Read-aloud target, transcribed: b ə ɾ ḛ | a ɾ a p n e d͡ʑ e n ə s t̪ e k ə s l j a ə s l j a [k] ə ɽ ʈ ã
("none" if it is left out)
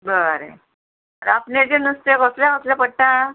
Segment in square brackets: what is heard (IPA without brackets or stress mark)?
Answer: p